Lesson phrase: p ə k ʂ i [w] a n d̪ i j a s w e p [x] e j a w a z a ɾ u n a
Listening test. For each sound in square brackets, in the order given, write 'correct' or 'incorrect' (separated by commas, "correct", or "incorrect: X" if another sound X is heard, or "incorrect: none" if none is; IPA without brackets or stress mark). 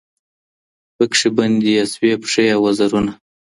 incorrect: b, incorrect: ʂ